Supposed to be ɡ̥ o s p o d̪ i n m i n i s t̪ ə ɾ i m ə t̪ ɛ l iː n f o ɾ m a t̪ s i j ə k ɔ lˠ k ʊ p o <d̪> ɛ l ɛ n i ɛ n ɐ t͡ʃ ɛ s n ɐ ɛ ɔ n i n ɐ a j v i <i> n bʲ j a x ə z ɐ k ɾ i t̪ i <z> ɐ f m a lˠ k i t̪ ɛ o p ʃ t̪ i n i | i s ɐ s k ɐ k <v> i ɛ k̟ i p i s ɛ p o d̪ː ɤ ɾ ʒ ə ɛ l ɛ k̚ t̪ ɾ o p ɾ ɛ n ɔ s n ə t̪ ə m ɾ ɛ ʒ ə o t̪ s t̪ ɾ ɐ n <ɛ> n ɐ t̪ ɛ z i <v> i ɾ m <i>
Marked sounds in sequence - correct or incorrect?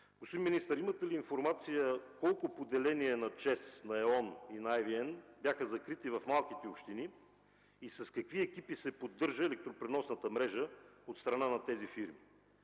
correct, incorrect, incorrect, correct, incorrect, incorrect, correct

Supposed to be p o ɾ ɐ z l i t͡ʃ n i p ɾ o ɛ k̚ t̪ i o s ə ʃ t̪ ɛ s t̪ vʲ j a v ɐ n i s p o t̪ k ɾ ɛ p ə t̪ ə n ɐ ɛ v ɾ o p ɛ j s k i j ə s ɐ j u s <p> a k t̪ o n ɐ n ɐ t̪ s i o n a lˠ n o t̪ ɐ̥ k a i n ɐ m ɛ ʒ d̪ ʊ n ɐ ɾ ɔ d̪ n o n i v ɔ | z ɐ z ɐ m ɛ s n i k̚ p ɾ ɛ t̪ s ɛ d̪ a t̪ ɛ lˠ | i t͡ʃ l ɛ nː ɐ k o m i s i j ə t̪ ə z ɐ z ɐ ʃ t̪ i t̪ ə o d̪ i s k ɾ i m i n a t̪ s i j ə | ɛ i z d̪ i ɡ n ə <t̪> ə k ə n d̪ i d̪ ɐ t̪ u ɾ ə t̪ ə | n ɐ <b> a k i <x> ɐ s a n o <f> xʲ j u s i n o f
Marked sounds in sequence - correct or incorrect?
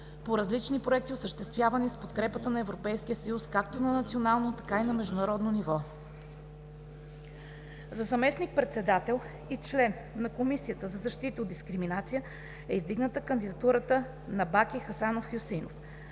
incorrect, correct, correct, correct, correct

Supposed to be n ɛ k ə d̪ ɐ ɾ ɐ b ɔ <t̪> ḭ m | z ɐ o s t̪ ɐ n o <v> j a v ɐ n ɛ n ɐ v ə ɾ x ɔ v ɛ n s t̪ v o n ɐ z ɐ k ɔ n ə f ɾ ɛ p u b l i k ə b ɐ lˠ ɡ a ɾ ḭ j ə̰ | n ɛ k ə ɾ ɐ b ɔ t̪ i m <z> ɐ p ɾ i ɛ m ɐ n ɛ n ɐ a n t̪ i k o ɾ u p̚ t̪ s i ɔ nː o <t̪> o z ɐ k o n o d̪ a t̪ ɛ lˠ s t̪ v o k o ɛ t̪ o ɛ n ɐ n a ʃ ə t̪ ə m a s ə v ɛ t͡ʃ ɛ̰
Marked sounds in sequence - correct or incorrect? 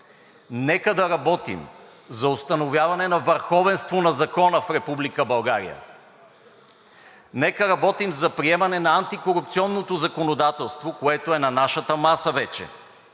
correct, correct, correct, correct

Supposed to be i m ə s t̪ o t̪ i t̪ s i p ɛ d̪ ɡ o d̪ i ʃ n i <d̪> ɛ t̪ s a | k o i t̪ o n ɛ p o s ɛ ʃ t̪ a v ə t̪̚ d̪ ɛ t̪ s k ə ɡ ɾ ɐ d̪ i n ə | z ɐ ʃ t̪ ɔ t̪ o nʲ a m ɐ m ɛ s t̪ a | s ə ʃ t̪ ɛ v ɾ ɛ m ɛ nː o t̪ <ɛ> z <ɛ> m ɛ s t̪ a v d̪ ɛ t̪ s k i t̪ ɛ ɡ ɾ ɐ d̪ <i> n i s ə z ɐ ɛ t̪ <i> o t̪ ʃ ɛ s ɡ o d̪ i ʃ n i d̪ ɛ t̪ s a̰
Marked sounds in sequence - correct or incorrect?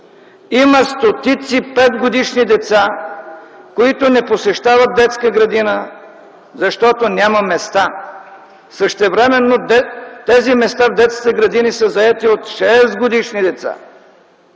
correct, correct, incorrect, correct, correct

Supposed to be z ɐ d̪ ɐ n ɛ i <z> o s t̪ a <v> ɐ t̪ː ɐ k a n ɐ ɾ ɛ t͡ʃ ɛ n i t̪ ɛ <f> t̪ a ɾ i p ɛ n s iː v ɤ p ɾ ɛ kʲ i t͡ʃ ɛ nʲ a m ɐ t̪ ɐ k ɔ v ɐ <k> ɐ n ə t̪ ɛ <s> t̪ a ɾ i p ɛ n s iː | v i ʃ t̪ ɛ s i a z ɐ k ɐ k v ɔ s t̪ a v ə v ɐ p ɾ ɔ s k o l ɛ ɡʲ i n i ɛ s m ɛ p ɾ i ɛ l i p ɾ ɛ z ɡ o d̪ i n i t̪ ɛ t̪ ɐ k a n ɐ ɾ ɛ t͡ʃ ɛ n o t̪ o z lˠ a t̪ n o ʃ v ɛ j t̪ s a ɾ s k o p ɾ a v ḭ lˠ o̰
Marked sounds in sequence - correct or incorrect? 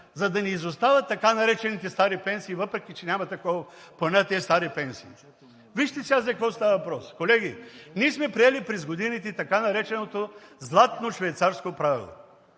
correct, correct, incorrect, incorrect, correct

